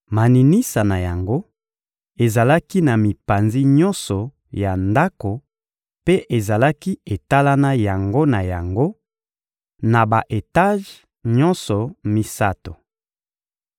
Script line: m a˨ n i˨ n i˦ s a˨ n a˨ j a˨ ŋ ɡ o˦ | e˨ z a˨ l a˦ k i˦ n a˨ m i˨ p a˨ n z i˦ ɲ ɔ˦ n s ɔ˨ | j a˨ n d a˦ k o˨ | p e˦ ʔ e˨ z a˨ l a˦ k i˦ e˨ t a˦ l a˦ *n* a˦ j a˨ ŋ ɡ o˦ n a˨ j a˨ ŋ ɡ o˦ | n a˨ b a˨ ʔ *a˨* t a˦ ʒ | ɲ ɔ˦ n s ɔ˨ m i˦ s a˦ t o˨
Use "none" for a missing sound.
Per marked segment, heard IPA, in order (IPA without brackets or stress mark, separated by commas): n, e˨